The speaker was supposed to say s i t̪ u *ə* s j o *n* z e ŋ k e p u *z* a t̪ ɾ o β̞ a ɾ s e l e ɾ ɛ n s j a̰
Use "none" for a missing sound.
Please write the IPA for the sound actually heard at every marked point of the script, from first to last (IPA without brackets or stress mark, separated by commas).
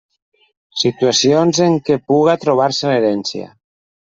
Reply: a, n, ɣ